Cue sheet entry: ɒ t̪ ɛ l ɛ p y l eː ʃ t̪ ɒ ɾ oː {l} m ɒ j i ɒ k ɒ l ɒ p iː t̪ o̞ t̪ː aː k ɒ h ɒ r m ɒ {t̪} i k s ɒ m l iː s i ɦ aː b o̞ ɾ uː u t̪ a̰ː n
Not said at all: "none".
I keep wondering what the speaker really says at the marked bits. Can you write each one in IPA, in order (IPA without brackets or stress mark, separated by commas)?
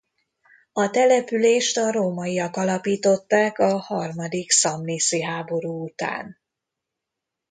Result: none, d̪